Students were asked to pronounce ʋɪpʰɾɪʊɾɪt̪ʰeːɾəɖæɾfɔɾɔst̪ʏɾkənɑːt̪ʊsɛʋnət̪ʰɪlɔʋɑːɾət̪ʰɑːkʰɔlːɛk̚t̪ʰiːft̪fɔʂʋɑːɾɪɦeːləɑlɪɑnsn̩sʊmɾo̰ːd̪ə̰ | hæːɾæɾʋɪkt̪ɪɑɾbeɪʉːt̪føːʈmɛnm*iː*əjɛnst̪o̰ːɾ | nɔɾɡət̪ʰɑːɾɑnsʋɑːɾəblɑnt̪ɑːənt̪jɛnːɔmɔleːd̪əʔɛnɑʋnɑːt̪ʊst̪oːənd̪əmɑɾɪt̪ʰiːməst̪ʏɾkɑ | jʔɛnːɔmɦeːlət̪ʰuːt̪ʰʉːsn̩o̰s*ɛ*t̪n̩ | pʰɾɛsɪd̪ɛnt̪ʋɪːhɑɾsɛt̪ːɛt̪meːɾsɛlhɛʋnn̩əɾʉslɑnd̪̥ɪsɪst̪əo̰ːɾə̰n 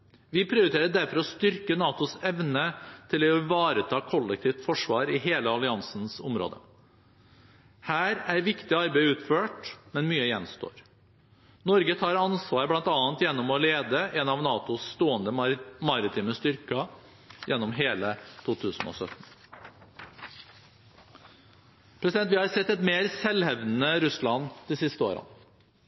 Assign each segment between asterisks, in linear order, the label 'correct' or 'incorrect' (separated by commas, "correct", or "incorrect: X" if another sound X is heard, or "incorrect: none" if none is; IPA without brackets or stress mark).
incorrect: yː, incorrect: œ